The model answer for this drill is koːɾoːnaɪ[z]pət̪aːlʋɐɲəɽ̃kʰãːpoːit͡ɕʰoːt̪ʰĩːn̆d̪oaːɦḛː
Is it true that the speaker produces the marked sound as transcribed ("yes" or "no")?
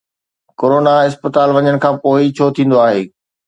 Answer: no